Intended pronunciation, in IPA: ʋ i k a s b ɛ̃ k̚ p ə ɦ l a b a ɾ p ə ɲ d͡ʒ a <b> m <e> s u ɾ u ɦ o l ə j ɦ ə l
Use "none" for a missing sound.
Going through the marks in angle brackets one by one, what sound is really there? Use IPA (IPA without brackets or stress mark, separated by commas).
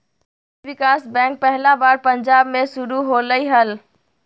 b, e